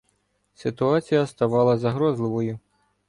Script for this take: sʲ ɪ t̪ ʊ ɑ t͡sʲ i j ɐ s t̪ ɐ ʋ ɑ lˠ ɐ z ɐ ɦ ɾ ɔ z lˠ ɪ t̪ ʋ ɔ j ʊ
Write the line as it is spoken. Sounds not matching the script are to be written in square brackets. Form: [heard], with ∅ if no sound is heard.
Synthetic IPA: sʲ ɪ t̪ ʊ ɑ t͡sʲ i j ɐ s t̪ ɐ ʋ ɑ lˠ ɐ z ɐ ɦ ɾ ɔ z lˠ ɪ [∅] ʋ ɔ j ʊ